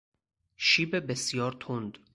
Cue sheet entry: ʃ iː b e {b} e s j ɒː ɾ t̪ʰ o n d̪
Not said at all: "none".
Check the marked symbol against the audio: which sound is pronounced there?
b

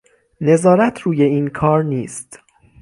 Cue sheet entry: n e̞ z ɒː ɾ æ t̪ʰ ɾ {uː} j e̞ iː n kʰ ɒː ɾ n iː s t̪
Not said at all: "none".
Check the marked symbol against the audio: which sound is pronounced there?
uː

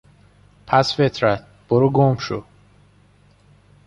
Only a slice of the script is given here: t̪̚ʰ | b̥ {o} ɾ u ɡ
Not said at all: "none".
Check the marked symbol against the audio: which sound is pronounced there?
o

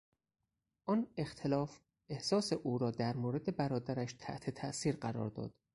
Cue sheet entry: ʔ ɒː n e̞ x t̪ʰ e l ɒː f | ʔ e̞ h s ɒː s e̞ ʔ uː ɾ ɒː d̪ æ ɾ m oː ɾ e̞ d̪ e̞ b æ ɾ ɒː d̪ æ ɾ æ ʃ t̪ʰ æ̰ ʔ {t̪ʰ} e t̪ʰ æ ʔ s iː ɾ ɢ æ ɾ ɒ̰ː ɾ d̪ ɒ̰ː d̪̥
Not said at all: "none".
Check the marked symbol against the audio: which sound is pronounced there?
t̪ʰ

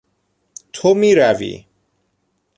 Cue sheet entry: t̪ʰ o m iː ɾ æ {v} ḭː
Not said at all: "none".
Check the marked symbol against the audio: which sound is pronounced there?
v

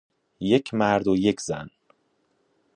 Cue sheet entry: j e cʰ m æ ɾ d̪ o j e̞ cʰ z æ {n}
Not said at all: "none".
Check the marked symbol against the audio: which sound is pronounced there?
n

